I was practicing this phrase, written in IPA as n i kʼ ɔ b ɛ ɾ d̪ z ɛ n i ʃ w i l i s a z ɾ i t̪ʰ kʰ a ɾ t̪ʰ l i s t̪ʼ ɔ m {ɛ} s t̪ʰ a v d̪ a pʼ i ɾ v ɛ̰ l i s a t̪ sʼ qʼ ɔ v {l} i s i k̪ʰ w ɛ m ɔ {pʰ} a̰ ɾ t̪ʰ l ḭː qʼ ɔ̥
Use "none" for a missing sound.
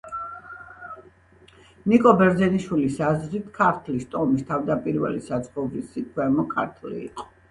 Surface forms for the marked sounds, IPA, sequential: i, ɾ, kʰ

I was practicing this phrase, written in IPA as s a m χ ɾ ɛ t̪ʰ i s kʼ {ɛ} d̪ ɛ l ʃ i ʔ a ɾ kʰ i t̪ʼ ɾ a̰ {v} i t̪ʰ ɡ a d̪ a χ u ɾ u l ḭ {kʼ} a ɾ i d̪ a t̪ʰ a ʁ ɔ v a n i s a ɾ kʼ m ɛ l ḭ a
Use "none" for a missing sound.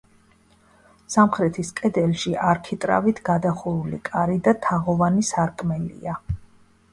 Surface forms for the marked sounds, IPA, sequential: ɛ, v, kʼ

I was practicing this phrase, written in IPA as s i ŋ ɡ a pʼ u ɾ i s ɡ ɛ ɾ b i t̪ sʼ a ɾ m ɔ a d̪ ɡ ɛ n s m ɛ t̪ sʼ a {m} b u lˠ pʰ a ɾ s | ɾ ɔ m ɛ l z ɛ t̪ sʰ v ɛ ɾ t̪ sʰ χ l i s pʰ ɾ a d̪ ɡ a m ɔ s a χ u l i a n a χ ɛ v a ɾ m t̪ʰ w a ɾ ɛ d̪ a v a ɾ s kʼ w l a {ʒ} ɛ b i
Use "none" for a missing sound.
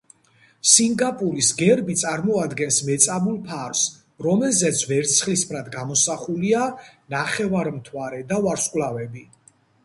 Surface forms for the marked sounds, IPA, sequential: none, v

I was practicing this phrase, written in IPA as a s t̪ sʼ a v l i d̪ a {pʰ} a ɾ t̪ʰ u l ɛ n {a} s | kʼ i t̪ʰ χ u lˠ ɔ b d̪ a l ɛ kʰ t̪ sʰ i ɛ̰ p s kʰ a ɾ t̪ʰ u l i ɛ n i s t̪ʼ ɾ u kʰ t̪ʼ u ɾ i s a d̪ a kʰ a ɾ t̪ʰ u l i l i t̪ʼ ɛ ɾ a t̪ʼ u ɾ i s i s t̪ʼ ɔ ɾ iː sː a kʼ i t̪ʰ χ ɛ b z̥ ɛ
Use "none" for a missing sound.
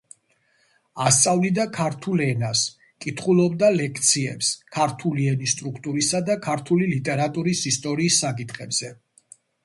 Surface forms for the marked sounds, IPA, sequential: kʰ, a

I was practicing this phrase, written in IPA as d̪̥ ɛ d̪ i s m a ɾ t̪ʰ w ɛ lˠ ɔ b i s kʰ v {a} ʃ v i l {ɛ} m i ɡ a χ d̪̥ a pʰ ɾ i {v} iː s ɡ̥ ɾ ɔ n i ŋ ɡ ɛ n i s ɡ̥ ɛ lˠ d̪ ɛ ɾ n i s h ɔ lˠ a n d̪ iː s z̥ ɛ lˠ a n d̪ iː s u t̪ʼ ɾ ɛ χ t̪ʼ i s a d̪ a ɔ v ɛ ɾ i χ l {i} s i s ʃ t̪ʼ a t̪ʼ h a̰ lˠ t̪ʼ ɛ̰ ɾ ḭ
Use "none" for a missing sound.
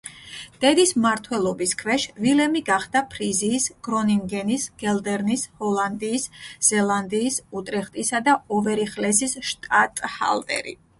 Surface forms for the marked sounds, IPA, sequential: ɛ, ɛ, z, ɛ

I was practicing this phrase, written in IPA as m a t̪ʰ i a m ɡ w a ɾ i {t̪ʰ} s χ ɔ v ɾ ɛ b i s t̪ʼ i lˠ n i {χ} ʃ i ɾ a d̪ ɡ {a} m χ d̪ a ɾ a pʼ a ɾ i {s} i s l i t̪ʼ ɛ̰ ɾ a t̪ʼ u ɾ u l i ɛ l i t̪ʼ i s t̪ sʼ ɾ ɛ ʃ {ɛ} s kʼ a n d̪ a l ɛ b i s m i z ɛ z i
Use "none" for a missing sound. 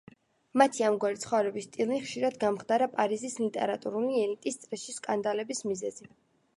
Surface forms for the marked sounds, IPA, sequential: t̪, χ, a, z, i

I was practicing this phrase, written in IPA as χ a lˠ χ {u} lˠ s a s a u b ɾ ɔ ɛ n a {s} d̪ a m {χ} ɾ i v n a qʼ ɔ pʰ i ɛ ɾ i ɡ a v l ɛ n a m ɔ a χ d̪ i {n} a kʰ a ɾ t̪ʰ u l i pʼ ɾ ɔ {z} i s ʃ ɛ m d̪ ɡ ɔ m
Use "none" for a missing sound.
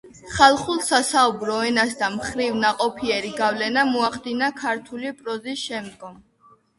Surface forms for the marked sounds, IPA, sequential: u, s, χ, n, z

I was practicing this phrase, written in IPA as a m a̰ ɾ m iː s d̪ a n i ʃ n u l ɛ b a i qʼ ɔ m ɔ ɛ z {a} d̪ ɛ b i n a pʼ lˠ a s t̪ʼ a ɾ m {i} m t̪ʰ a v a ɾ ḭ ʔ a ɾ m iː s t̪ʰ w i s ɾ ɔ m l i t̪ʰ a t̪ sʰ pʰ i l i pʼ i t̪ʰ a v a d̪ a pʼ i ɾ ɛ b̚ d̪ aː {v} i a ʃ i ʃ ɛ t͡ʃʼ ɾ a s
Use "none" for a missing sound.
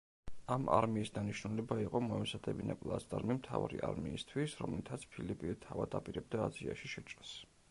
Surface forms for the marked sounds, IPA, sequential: a, i, z

